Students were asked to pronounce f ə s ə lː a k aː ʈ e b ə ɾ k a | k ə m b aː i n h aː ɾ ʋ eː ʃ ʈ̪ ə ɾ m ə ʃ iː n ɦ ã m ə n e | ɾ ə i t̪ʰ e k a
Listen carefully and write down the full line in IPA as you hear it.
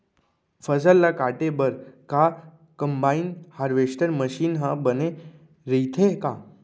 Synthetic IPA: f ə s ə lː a k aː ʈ e b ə ɾ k a | k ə m b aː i n h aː ɾ ʋ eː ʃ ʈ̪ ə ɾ m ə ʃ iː n ɦ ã b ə n e | ɾ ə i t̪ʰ e k a